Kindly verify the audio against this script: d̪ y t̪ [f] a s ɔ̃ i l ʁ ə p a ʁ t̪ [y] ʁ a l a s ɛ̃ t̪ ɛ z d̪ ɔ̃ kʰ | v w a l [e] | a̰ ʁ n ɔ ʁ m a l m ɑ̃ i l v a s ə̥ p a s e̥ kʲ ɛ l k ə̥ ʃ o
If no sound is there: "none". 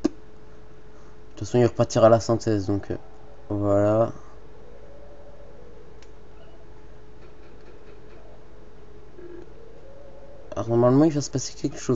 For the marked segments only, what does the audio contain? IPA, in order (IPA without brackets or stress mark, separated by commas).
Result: f, i, a